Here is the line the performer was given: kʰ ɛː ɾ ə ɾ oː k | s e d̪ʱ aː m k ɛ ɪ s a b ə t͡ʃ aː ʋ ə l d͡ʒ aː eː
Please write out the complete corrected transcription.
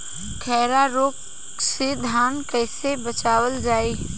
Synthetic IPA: kʰ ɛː ɾ a ɾ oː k | s e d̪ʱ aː n k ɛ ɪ s e b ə t͡ʃ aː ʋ ə l d͡ʒ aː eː